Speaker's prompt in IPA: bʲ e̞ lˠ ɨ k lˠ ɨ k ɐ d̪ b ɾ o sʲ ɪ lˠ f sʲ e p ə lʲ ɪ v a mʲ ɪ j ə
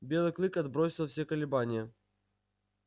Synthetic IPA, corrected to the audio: bʲ e̞ lˠ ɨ k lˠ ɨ k ɐ d̪ b ɾ o sʲ ɪ lˠ f sʲ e k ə lʲ ɪ b a nʲ ɪ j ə